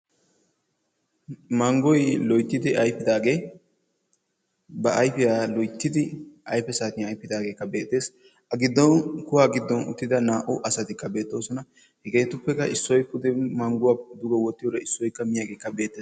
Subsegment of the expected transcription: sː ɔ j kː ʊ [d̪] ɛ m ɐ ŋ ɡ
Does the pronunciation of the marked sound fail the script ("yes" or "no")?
no